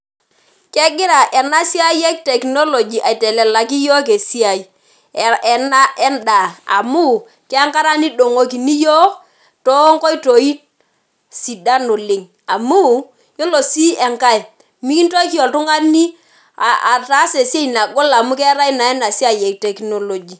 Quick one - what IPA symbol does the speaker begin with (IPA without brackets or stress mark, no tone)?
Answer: k